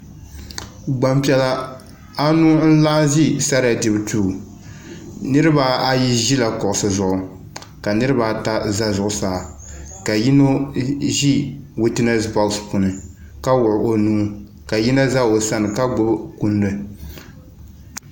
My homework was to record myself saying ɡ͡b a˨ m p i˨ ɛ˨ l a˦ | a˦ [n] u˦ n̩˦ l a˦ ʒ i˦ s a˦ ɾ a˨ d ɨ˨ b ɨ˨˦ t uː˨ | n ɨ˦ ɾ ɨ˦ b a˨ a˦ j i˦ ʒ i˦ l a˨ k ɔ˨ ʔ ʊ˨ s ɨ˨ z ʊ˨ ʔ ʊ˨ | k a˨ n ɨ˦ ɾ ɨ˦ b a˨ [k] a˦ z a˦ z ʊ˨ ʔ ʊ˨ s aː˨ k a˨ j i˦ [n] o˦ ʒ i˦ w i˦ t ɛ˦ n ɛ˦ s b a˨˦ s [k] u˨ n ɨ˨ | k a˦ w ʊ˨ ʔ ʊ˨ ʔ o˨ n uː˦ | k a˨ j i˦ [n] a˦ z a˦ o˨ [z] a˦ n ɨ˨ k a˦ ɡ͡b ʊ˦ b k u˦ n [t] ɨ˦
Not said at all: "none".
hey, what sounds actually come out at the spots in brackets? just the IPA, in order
n, t, n, p, n, s, d

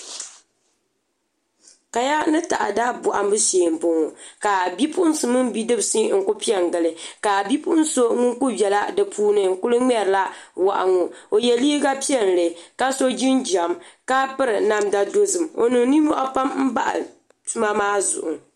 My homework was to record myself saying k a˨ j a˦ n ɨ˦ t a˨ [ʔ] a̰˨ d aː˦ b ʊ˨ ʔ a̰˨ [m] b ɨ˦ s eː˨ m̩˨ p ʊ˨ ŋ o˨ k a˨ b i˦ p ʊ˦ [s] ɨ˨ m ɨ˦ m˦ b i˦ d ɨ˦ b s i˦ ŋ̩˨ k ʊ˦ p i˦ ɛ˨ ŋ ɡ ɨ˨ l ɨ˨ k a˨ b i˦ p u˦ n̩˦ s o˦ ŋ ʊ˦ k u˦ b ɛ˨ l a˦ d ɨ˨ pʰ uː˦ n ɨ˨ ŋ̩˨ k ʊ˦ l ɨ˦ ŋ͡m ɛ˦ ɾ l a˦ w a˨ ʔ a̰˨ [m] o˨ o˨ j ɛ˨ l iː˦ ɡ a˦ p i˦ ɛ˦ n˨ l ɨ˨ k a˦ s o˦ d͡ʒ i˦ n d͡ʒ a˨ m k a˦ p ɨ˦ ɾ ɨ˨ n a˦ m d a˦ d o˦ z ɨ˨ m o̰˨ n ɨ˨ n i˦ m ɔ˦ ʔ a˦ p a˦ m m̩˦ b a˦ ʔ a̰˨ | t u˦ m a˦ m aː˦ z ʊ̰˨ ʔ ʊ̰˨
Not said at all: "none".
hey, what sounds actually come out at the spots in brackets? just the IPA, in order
ʔ, m, s, ŋ

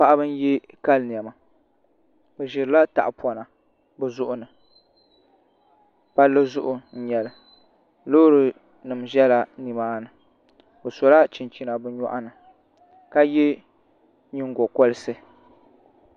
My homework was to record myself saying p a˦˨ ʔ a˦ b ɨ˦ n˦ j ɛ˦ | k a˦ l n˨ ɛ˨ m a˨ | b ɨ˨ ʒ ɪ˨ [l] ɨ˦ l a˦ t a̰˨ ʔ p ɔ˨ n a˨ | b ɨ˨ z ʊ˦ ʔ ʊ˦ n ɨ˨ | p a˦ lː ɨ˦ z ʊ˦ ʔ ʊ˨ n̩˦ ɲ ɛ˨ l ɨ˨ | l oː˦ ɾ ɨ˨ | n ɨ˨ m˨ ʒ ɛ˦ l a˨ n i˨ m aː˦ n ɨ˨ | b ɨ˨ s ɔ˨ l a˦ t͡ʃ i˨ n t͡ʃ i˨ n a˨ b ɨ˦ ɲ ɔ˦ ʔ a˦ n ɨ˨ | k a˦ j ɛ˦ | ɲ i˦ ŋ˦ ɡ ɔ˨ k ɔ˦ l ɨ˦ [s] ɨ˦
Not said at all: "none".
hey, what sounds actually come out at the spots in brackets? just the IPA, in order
ɾ, s

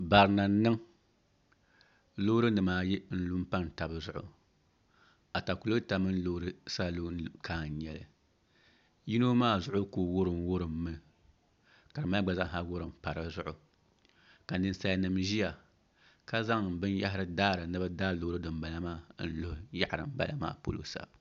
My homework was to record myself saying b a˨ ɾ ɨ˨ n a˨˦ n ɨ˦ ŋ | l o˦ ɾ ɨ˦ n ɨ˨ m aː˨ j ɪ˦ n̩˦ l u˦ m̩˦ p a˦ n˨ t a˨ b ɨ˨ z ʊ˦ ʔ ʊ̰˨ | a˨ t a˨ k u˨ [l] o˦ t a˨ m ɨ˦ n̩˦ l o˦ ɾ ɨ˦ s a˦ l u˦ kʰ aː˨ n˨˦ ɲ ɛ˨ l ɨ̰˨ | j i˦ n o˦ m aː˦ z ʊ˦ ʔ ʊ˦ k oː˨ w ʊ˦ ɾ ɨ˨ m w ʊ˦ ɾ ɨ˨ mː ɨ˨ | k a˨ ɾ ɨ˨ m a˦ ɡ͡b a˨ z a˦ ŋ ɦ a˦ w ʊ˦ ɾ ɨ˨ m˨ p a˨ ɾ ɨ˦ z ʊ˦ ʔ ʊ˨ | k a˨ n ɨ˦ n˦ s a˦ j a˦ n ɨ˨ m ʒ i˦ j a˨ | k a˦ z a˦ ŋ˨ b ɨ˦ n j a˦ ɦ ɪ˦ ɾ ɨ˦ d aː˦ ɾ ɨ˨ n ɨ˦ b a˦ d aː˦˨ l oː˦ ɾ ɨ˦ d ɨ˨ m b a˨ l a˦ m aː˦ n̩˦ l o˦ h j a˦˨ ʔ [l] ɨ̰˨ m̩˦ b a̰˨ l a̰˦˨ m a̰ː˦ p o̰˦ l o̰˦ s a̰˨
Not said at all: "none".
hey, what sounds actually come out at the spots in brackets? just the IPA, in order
l, ɾ

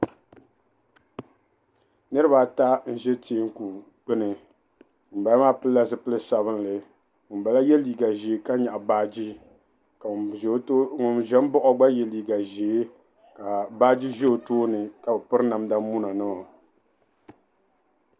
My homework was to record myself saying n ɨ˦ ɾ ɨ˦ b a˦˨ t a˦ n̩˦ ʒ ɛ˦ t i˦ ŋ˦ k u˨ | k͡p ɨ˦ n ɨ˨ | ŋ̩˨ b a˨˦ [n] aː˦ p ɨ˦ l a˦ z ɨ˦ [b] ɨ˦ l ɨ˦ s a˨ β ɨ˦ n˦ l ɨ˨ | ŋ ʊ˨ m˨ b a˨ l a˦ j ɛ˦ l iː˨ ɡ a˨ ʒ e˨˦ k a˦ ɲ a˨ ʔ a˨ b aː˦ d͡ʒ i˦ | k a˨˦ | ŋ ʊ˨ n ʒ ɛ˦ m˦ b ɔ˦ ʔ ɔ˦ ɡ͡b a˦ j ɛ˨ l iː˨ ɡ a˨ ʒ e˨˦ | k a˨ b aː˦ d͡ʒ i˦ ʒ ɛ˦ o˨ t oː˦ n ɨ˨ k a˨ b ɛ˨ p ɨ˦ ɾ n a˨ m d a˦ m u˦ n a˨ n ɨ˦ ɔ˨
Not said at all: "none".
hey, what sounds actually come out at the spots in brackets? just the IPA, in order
m, p

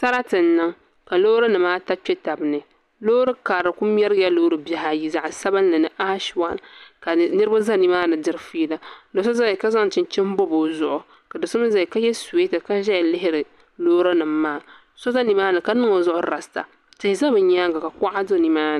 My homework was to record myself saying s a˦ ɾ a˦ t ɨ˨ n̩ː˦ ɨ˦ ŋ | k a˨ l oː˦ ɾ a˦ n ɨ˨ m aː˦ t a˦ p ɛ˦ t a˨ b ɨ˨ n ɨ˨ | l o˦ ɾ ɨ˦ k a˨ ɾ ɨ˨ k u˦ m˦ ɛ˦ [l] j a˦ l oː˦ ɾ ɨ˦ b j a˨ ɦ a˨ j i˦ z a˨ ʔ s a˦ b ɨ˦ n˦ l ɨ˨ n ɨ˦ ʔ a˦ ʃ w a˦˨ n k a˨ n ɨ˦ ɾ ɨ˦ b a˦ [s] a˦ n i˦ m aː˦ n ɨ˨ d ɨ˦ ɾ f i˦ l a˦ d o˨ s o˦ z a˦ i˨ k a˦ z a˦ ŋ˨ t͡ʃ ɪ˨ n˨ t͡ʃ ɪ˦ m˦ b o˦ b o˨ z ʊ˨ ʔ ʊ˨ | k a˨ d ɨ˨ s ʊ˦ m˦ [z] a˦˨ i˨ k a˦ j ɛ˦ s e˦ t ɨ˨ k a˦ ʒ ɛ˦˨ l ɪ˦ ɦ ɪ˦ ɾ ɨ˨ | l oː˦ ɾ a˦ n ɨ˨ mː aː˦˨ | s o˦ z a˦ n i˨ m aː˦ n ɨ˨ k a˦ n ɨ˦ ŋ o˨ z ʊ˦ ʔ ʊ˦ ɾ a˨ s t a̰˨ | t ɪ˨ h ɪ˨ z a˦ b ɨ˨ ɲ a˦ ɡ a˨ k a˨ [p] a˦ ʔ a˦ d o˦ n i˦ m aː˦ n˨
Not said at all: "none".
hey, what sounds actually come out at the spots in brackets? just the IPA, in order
ɾ, z, z, k

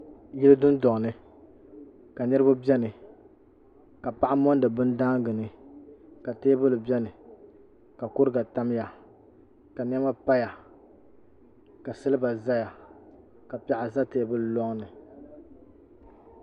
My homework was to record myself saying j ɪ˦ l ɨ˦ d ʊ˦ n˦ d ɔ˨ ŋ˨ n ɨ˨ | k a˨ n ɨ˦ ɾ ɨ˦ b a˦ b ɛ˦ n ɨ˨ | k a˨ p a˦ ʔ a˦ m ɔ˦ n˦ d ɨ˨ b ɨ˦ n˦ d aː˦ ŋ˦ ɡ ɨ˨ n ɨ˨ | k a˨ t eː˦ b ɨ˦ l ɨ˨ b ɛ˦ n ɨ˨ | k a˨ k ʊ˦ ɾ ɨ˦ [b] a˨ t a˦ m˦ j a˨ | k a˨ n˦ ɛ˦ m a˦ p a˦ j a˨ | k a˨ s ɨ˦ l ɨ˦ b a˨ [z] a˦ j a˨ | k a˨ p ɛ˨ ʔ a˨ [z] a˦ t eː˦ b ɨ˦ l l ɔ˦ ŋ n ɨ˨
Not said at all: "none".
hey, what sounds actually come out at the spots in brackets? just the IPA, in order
ɡ, z, z

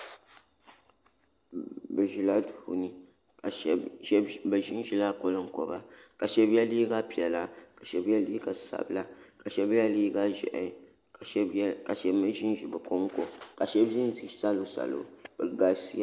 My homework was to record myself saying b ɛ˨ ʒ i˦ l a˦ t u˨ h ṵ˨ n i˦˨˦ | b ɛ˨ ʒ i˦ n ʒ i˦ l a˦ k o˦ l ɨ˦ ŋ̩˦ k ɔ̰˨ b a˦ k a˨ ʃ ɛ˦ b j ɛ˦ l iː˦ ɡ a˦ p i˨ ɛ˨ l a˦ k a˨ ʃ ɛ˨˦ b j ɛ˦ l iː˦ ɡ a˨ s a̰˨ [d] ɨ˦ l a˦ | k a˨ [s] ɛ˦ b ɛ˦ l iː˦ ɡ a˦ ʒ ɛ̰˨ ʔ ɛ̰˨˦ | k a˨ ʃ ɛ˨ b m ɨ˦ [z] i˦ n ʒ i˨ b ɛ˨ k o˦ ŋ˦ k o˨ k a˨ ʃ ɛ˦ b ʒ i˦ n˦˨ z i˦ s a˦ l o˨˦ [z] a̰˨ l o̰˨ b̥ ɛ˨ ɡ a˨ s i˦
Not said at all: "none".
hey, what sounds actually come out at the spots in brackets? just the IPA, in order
b, ʃ, ʒ, s

